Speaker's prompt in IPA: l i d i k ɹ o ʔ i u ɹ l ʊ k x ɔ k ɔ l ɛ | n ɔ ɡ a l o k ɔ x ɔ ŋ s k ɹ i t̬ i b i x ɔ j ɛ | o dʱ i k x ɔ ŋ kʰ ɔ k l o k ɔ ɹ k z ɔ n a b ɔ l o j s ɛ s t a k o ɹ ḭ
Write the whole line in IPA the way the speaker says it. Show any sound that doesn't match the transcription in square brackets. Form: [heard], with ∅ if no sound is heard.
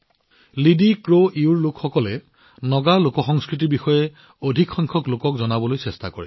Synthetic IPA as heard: l i d i k ɹ o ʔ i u ɹ l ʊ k x ɔ k ɔ l ɛ | n ɔ ɡ a l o k ɔ x ɔ ŋ s k ɹ i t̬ i b i x ɔ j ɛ | o dʱ i k x ɔ ŋ kʰ ɔ k l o k ɔ [∅] k z ɔ n a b ɔ l o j s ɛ s t a k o ɹ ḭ